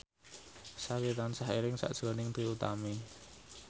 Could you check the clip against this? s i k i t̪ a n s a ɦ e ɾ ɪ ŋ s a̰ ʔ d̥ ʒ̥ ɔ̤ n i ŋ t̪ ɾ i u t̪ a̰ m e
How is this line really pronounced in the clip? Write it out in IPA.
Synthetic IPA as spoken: s a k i t̪ a n s a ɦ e ɾ ɪ ŋ s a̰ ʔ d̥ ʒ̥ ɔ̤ n ɪ ŋ t̪ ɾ i u t̪ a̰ m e